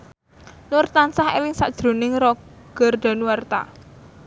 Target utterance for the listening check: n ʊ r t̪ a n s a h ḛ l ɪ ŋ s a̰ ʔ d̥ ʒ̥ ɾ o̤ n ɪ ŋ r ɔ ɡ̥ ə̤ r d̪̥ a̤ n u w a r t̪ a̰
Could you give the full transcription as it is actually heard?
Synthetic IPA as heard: n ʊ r t̪ a n s a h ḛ l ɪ ŋ s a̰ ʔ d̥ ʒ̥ ɾ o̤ n ɪ ŋ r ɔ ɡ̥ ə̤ r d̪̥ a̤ n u w a r t̪ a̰